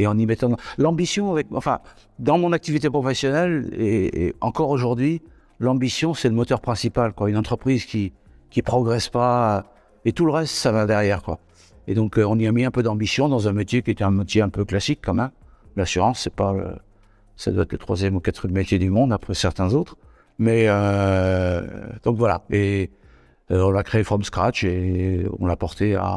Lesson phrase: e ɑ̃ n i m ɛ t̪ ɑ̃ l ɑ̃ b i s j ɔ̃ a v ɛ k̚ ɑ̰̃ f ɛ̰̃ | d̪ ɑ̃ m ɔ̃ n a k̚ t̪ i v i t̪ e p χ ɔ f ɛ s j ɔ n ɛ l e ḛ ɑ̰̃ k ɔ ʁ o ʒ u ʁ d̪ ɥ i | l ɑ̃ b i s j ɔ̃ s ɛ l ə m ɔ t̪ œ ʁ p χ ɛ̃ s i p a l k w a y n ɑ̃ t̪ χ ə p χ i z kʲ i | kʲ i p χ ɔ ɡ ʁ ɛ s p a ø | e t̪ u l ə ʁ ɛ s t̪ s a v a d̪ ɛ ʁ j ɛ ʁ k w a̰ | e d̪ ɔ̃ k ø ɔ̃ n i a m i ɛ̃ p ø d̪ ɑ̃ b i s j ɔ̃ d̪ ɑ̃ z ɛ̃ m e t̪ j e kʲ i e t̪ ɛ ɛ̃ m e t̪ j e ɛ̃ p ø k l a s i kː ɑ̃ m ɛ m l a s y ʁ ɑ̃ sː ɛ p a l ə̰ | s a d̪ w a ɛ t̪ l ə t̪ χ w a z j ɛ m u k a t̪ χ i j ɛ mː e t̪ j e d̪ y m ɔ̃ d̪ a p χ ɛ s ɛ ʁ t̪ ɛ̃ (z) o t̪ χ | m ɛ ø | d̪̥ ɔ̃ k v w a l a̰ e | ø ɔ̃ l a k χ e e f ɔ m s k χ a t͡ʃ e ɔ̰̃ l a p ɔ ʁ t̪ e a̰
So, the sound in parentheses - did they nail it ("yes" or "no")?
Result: yes